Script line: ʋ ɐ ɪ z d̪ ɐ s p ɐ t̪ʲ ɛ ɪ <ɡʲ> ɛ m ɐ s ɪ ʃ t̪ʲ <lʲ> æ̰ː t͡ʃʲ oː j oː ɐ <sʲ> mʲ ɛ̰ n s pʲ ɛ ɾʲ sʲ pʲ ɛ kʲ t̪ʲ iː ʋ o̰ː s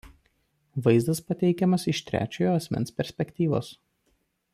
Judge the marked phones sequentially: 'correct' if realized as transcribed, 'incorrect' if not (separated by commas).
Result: incorrect, incorrect, correct